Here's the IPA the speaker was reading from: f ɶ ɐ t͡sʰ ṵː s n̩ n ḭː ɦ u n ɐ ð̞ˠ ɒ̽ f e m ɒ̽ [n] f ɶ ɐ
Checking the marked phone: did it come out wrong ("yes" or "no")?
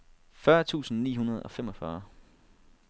yes